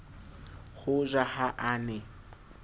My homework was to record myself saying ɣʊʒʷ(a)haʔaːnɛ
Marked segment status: correct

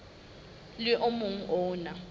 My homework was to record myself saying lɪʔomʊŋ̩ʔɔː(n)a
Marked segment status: correct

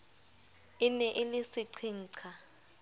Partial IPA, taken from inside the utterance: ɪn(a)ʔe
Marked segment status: incorrect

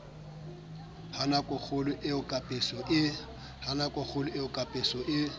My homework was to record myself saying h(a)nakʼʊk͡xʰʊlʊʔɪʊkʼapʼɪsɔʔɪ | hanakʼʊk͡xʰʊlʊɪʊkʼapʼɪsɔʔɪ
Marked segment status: correct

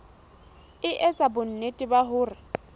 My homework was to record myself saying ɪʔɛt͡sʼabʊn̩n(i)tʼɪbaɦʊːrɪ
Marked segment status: incorrect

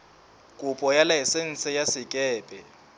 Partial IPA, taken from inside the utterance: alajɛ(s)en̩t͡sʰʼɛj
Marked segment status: correct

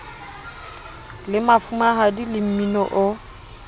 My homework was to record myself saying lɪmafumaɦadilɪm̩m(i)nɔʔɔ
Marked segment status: correct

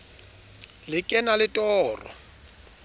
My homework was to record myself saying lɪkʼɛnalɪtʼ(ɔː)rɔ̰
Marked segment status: correct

